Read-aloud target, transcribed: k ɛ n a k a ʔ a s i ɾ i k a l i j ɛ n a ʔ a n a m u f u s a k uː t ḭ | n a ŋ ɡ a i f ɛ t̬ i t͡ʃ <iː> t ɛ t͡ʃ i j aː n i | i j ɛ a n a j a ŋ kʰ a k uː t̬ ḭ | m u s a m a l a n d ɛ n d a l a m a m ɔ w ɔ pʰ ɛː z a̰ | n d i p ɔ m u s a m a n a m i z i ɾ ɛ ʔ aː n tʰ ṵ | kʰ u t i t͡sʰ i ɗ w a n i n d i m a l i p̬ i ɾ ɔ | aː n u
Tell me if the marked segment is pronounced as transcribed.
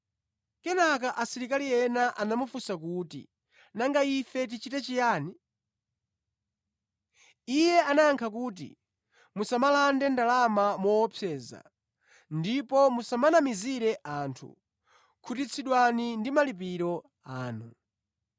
no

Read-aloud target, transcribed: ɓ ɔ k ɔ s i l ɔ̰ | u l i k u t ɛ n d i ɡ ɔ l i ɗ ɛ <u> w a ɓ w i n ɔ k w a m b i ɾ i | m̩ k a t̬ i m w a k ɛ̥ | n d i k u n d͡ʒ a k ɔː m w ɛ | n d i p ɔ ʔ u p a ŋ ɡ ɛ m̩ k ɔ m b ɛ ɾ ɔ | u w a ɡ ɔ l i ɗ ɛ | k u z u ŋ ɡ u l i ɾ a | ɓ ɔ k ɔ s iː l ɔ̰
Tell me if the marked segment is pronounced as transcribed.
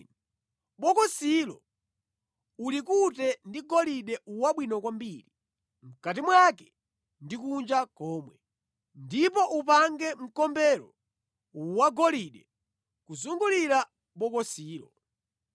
yes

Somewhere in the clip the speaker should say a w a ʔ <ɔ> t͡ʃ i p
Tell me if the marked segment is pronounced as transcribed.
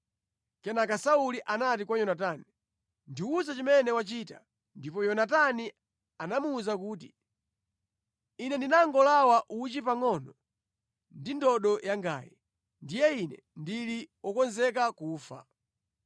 no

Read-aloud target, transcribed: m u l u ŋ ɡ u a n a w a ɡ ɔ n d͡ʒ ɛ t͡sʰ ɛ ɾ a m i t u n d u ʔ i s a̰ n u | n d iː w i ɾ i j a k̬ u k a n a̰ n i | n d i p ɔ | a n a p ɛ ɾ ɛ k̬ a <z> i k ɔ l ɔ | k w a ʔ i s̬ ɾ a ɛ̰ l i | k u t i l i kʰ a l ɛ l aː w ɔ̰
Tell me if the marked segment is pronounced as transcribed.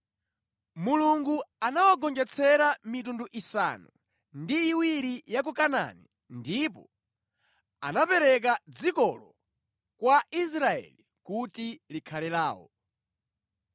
no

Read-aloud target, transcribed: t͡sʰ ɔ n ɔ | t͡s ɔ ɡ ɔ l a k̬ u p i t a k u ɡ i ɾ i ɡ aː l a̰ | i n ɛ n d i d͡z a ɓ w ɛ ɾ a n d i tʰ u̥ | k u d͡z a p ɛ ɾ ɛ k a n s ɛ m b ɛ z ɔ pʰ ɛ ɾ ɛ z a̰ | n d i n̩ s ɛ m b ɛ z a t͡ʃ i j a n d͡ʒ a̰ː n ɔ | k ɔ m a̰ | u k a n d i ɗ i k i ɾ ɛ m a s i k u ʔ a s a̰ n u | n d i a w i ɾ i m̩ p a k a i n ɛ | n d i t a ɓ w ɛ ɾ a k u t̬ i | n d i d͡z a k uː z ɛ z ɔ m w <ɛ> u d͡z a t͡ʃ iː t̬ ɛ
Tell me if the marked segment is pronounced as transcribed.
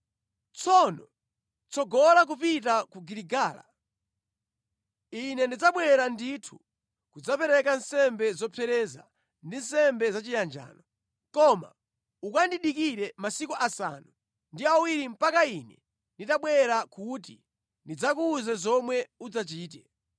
yes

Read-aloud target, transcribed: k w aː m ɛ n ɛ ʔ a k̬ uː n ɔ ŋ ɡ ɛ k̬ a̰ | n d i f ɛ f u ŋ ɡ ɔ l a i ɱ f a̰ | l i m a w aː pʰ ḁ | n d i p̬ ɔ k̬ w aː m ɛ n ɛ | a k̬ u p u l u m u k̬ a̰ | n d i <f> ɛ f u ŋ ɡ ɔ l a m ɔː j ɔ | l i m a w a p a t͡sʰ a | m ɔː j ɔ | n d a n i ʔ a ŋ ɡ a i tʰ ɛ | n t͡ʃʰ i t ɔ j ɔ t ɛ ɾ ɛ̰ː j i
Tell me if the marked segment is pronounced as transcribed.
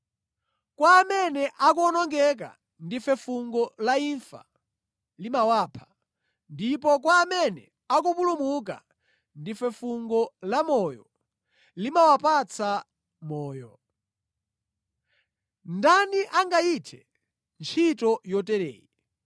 yes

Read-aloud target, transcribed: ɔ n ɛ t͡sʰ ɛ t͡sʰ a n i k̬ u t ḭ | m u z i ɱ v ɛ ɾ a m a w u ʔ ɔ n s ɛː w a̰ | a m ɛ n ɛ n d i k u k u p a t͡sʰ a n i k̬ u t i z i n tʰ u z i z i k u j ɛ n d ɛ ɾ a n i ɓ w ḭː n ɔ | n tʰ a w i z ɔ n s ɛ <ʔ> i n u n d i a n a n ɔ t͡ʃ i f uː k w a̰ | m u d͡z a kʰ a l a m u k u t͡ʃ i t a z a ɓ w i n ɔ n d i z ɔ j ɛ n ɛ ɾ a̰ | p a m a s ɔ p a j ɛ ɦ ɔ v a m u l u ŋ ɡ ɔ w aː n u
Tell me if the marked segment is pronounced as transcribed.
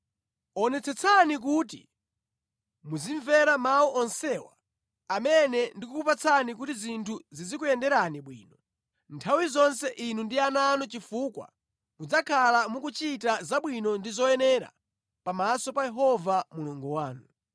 yes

